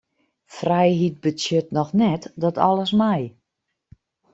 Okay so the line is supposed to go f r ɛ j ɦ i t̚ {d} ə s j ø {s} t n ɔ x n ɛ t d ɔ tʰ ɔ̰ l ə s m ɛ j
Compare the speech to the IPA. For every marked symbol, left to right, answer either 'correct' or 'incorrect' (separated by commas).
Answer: incorrect, incorrect